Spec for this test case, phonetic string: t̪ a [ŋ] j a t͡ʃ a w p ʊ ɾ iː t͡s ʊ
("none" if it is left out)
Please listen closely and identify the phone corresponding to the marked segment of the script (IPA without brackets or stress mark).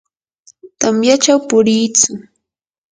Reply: m